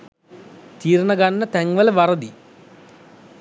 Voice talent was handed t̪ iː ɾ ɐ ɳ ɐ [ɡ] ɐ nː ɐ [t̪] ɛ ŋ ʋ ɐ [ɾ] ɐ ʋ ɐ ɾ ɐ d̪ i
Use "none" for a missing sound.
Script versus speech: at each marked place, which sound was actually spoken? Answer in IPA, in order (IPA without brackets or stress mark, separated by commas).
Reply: ɡ, t̪, l